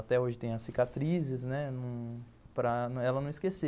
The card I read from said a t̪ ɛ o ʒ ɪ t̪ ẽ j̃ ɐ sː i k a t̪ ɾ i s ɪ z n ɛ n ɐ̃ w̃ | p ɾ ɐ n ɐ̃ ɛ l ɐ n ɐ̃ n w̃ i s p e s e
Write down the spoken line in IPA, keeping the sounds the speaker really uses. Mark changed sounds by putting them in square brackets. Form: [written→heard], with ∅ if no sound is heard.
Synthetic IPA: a t̪ ɛ o ʒ ɪ t̪ ẽ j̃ ɐ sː i k a t̪ ɾ i [s→z] ɪ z n ɛ n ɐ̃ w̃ | p ɾ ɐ n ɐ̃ ɛ l ɐ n ɐ̃ [n→∅] w̃ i s [p→k] e s e